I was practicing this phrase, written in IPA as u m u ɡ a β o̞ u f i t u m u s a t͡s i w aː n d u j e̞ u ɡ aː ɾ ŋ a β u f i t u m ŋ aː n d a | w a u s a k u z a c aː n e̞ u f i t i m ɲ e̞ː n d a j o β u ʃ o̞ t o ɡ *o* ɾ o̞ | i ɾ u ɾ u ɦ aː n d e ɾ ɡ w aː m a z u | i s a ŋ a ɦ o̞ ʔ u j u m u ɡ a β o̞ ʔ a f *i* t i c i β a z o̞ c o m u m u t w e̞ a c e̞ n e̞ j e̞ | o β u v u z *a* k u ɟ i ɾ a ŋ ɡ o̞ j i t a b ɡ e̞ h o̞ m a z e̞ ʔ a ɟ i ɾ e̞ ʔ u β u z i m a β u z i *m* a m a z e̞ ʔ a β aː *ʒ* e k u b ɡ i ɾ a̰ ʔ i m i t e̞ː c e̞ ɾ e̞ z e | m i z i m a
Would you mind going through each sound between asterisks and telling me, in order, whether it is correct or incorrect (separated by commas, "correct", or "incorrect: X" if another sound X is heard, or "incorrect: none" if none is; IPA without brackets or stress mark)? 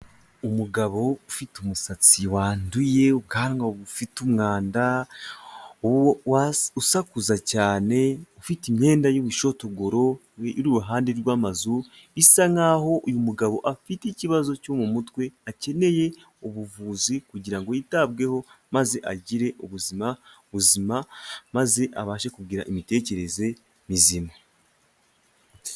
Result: correct, correct, incorrect: i, correct, incorrect: ʃ